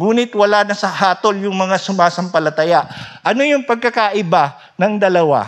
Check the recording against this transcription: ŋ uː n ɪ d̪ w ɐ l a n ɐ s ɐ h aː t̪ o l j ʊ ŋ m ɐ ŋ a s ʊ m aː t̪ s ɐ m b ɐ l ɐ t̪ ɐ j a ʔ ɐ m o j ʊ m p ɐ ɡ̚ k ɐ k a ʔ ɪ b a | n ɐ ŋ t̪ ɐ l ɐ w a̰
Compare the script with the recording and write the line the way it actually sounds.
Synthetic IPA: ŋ uː n ɪ t̪ w ɐ l a n ɐ s ɐ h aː t̪ o l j ʊ ŋ m ɐ ŋ a s ʊ m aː s ɐ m p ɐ l ɐ t̪ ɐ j a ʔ ɐ n o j ʊ ŋ p ɐ ɡ̚ k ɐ k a ʔ ɪ b a | n ɐ ŋ d̪ ɐ l ɐ w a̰